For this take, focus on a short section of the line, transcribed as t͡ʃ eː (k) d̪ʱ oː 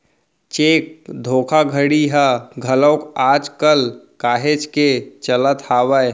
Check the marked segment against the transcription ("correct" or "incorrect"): correct